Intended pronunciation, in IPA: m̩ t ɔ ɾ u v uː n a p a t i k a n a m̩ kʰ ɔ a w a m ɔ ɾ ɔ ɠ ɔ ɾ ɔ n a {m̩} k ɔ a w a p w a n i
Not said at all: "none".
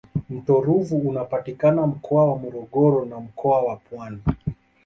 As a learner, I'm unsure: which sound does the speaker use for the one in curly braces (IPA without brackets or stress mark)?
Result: m̩